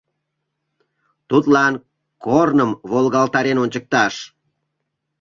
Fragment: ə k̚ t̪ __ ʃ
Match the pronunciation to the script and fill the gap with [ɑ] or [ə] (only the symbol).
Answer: ɑ